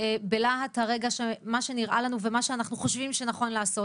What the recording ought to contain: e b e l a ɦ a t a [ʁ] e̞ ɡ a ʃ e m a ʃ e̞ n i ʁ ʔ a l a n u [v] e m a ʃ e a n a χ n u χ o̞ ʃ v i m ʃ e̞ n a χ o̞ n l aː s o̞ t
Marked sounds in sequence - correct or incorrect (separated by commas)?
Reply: correct, correct